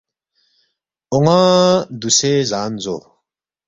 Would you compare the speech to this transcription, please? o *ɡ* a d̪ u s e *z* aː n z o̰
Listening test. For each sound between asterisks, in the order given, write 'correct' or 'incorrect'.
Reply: incorrect: ŋ, correct

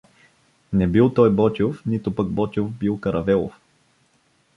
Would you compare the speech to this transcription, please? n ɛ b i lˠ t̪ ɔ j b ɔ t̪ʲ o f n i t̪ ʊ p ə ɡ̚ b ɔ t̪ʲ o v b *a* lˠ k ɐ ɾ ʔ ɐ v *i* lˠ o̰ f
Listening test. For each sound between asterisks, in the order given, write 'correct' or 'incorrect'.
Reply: incorrect: i, incorrect: ɛ

